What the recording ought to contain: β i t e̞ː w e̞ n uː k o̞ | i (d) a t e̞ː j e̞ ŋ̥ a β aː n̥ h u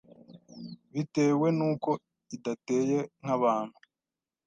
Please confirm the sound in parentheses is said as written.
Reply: yes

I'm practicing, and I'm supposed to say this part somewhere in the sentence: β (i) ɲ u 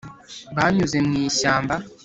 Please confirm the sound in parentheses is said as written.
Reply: no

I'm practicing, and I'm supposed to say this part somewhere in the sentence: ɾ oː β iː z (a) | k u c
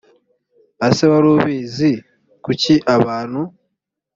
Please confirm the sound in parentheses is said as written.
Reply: no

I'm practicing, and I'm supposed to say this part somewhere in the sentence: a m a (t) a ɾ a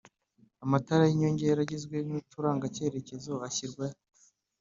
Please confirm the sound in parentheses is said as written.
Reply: yes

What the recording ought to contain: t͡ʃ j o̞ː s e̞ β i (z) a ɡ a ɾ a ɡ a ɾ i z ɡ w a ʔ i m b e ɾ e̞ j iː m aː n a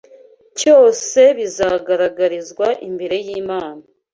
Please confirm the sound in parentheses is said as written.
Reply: yes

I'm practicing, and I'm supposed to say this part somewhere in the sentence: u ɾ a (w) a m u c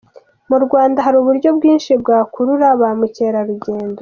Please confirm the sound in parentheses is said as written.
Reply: no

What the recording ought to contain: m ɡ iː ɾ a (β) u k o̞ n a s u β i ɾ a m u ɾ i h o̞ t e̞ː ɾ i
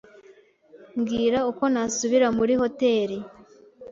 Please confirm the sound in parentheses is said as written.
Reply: no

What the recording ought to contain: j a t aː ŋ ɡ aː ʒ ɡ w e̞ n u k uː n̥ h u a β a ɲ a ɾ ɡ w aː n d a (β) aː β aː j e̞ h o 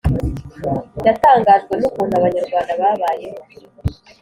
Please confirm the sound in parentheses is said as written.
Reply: yes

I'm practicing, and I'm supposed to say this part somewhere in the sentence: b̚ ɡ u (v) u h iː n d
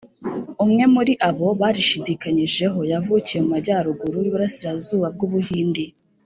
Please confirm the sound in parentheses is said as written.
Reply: no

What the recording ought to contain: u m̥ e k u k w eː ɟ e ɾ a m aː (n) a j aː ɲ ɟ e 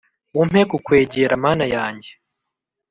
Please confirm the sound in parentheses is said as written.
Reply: yes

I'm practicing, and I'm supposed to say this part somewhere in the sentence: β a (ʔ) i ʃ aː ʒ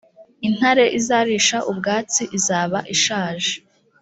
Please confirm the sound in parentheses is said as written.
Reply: yes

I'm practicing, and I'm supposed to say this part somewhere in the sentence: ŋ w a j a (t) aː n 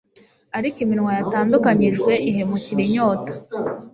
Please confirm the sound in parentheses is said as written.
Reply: yes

